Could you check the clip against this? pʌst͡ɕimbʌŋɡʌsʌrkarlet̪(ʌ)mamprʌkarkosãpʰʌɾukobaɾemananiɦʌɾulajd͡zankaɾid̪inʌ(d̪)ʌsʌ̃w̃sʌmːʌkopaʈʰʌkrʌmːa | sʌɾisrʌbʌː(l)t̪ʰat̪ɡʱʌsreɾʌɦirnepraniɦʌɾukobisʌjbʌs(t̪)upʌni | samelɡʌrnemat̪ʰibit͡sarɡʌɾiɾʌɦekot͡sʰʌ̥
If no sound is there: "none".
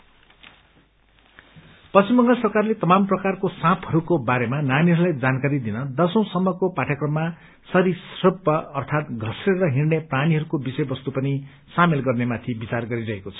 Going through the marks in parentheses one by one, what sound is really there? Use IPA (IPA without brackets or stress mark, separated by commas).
ʌ, d̪, r, t̪